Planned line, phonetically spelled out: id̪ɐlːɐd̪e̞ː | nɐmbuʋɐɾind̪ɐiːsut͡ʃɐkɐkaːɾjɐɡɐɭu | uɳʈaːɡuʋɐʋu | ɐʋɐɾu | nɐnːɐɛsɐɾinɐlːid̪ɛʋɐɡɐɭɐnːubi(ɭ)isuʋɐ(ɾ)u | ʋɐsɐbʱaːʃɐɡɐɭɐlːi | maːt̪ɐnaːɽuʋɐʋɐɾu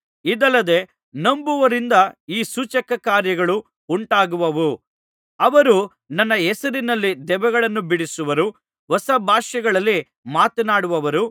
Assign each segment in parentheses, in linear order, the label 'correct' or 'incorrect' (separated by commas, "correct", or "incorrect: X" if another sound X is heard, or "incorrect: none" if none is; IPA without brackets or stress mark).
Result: incorrect: ɽ, correct